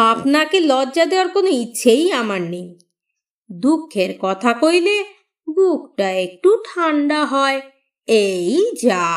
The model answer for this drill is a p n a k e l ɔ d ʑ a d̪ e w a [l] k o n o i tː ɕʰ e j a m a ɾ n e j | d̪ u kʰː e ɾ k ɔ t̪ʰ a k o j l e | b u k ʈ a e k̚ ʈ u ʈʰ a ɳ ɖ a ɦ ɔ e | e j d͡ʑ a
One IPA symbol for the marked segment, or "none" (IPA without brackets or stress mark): ɾ